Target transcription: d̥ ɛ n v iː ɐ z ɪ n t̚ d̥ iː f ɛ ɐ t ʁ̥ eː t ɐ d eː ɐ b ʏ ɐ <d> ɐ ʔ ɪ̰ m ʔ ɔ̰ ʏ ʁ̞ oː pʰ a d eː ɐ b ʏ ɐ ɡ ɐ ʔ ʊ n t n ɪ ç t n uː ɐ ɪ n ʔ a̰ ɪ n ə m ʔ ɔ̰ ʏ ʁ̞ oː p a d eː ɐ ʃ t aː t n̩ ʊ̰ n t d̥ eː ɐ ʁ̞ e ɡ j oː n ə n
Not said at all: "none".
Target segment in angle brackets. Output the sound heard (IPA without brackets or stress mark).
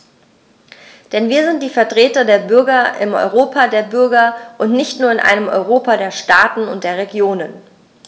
ɡ